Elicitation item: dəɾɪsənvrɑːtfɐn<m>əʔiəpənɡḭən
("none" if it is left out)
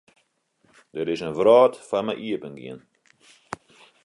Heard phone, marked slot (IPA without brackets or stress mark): m